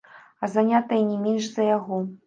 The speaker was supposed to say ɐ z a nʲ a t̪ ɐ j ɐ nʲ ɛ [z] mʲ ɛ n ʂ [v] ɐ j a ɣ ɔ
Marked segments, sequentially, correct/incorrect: incorrect: none, incorrect: z

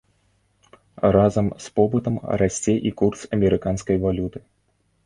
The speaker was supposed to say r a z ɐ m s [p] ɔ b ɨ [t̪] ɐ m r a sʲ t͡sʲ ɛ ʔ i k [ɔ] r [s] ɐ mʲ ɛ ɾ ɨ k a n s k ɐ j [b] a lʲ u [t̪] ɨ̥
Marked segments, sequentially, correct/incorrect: correct, correct, incorrect: u, correct, incorrect: v, correct

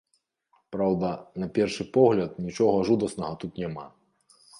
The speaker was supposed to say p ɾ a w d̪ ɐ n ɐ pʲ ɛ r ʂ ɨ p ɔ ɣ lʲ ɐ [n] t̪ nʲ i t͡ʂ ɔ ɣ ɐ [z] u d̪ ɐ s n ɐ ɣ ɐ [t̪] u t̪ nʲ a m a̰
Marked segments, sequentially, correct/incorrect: incorrect: none, incorrect: ʐ, correct

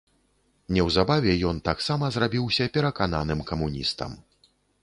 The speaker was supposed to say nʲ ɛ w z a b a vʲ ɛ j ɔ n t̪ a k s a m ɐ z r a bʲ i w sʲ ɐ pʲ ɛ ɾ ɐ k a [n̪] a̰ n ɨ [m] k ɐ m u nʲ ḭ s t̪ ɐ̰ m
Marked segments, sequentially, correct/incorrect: correct, correct

